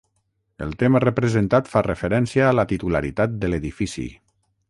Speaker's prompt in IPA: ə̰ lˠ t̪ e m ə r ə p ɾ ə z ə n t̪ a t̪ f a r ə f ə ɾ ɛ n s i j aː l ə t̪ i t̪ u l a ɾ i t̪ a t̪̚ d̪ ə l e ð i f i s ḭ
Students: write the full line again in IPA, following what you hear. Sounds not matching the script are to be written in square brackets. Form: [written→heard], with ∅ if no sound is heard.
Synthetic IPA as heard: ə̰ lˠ t̪ e m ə r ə p ɾ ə z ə n t̪ a t̪ f a r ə f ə ɾ ɛ n s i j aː l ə t̪ i t̪ u l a ɾ i t̪ a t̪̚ d̪ ə l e ð i f i s ḭ